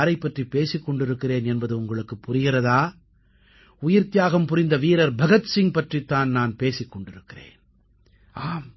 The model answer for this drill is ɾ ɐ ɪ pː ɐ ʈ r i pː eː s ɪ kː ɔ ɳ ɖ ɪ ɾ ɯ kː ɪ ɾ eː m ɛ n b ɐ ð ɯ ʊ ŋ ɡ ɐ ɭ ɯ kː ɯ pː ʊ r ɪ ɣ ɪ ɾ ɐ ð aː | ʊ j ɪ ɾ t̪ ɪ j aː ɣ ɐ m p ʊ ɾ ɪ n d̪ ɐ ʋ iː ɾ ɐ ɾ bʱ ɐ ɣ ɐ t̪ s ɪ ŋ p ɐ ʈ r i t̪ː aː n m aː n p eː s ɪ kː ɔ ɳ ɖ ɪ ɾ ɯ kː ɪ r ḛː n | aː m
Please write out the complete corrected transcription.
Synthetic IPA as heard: ɾ ɐ ɪ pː ɐ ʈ r i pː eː s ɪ kː ɔ ɳ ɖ ɪ ɾ ɯ kː ɪ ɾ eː n ɛ n b ɐ ð ɯ ʊ ŋ ɡ ɐ ɭ ɯ kː ɯ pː ʊ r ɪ ɣ ɪ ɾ ɐ ð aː | ʊ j ɪ ɾ t̪ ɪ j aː ɣ ɐ m p ʊ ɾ ɪ n d̪ ɐ ʋ iː ɾ ɐ ɾ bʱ ɐ ɣ ɐ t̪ s ɪ ŋ p ɐ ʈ r i t̪ː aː n n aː n p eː s ɪ kː ɔ ɳ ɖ ɪ ɾ ɯ kː ɪ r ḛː n | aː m